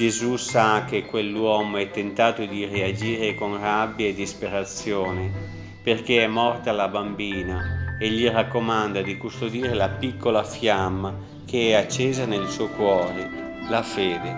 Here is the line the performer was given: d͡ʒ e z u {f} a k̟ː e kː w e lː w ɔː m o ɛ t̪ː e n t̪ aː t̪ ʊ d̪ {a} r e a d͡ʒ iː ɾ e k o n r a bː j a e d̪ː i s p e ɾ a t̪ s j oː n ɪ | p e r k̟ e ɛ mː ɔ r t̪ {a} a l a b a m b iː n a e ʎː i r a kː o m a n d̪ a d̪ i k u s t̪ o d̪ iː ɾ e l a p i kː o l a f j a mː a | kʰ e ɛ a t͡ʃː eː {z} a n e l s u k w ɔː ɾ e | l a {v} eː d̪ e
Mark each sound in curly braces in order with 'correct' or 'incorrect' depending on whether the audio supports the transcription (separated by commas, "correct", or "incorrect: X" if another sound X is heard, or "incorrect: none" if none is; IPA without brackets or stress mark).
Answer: incorrect: s, incorrect: i, correct, correct, incorrect: f